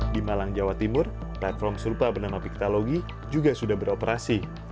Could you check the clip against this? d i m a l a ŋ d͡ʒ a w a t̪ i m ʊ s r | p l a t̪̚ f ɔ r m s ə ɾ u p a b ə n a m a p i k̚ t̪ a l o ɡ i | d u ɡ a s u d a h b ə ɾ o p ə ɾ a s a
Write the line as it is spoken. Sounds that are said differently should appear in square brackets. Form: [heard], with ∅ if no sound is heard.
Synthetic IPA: d i m a l a ŋ d͡ʒ a w a t̪ i m ʊ [∅] r | p l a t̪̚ f ɔ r m s ə ɾ u p a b ə n a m a p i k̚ t̪ a l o ɡ i | [d͡ʒ] u ɡ a s u d a h b ə ɾ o p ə ɾ a s [i]